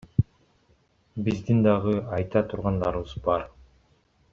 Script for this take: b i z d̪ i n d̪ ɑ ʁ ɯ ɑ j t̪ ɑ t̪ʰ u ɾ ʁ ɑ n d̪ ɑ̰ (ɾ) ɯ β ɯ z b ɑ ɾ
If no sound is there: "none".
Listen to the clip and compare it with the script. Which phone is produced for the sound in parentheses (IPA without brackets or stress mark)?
ɾ